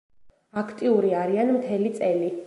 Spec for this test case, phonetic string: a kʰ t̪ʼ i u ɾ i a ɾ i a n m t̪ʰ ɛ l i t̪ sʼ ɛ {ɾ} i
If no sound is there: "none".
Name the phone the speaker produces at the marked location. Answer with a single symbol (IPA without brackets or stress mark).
l